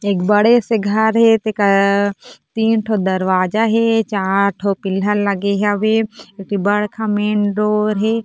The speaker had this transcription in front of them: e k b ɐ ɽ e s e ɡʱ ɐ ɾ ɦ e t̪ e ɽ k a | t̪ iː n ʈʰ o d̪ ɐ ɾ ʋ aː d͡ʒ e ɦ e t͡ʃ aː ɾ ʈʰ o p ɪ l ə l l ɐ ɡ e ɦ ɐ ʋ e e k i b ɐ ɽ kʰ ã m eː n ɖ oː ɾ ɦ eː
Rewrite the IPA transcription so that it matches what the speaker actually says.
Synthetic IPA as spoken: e k b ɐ ɽ e s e ɡʱ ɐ ɾ ɦ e t̪ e k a | t̪ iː n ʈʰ o d̪ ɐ ɾ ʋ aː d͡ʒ a ɦ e t͡ʃ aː ɾ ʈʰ o p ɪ l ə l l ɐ ɡ e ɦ a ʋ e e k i b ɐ ɽ kʰ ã m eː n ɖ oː ɾ ɦ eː